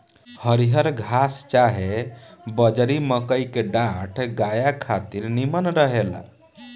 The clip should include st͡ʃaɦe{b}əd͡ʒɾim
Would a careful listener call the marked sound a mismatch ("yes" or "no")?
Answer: no